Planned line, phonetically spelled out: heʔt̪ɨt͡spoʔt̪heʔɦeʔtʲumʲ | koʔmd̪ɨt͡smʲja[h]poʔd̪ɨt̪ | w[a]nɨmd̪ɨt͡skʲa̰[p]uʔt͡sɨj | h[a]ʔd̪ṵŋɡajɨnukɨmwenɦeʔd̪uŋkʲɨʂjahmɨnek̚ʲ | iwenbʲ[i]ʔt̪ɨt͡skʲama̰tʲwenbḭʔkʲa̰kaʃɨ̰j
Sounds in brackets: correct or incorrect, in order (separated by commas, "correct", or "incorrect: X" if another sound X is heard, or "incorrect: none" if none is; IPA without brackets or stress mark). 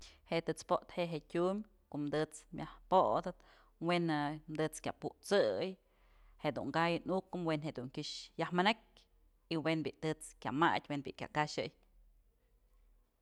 correct, incorrect: e, correct, incorrect: e, correct